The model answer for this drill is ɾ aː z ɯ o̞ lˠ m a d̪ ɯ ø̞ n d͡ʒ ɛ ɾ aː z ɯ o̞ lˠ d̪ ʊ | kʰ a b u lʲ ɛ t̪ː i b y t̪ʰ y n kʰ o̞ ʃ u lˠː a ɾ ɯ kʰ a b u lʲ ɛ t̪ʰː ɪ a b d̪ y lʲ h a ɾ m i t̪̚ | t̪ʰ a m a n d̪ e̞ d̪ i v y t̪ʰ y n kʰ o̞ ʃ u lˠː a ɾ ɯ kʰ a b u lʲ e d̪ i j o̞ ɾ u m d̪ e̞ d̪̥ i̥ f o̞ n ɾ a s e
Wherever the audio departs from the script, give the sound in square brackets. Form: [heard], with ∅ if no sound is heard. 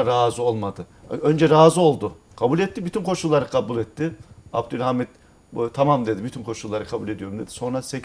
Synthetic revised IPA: ɾ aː z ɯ o̞ lˠ m a d̪ ɯ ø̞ n d͡ʒ ɛ ɾ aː z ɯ o̞ lˠ d̪ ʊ | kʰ a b u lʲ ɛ t̪ː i b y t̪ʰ y n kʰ o̞ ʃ u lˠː a ɾ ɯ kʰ a b u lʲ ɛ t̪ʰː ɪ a b d̪ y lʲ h a [∅] m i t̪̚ | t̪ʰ a m a [m] d̪ e̞ d̪ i [b] y t̪ʰ y n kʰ o̞ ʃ u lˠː a ɾ ɯ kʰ a b u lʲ e d̪ i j o̞ ɾ u m d̪ e̞ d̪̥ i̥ [s] o̞ n ɾ a s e